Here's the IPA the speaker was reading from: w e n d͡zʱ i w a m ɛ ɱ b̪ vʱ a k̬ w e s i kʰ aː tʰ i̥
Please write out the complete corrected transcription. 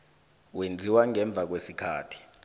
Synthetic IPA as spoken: w e n d͡zʱ i w a ŋ ɛ ɱ b̪ vʱ a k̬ w e s i kʰ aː tʰ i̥